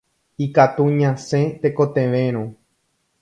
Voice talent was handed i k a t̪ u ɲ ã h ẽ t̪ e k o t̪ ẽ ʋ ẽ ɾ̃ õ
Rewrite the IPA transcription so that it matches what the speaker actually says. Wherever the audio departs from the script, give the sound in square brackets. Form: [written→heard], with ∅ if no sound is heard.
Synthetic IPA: i k a t̪ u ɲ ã [h→s] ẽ t̪ e k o t̪ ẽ ʋ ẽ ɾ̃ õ

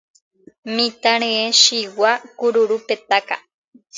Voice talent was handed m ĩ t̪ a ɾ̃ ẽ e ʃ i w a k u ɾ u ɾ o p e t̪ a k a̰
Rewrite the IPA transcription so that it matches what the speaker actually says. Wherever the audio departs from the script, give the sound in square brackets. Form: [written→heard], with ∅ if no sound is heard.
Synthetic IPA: m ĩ t̪ a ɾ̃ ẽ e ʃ i w a k u ɾ u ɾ [o→u] p e t̪ a k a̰

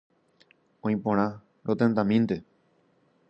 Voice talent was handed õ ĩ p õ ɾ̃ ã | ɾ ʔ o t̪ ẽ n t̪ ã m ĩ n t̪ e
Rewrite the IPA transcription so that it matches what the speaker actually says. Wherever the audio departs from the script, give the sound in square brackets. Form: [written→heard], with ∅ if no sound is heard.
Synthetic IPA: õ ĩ p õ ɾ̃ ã | ɾ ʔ o t̪ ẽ n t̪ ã m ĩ n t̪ e

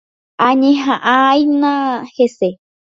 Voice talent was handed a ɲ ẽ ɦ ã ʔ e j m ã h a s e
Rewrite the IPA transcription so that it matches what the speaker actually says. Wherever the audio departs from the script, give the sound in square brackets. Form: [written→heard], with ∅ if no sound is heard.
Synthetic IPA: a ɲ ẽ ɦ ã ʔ [e→a] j [m→n] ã h [a→e] s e

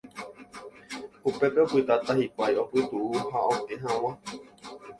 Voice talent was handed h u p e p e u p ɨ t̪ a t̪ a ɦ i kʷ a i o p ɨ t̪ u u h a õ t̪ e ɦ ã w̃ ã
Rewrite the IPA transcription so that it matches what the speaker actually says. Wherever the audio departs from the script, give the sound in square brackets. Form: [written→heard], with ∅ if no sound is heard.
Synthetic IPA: h u p e p e [u→o] p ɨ t̪ a t̪ a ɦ i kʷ a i o p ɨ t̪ u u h a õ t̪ e ɦ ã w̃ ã

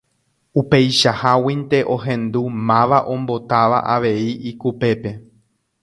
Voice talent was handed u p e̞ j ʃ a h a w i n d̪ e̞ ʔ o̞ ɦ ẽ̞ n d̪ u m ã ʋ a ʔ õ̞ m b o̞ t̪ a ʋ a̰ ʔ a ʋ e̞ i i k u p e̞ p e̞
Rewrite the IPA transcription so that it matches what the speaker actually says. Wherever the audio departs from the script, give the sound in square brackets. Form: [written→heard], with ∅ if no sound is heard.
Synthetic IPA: u p e̞ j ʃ a h a w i n [d̪→t̪] e̞ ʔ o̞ ɦ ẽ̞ n d̪ u m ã ʋ a ʔ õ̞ m b o̞ t̪ a ʋ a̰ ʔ a ʋ e̞ i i k u p e̞ p e̞

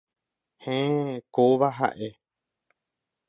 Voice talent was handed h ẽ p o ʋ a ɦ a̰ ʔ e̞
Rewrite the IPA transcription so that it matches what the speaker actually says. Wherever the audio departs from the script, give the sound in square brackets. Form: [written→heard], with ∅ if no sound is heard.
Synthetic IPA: h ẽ [p→k] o ʋ a ɦ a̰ ʔ e̞

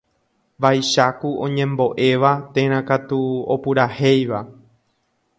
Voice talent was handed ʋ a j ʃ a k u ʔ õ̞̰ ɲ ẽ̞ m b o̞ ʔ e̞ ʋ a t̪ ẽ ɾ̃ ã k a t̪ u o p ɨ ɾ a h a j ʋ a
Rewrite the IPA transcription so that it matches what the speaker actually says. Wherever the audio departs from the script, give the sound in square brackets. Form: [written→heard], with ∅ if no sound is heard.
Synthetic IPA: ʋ a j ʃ a k u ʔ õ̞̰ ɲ ẽ̞ m b o̞ ʔ e̞ ʋ a t̪ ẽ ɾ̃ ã k a t̪ u o p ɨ ɾ a h [a→e] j ʋ a

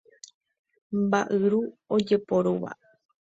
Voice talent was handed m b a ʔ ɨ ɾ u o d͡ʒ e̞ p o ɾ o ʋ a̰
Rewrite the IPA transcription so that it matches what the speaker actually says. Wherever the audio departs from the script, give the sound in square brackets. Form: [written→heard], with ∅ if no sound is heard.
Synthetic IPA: m b a ʔ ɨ ɾ u o d͡ʒ e̞ p o ɾ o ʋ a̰

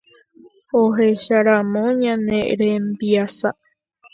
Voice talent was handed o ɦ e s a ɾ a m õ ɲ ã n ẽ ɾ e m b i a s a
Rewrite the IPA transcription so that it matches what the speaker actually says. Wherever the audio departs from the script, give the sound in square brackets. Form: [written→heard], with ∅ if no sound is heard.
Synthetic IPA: o ɦ e [s→ʃ] a ɾ a m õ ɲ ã n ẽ ɾ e m b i a s a

